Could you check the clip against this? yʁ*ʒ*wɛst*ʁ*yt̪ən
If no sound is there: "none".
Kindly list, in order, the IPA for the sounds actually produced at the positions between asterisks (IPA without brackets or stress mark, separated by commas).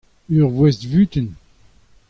v, v